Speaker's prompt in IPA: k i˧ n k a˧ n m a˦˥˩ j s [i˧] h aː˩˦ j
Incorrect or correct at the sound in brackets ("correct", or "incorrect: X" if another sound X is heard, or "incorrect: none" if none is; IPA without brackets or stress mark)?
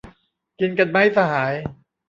incorrect: a˧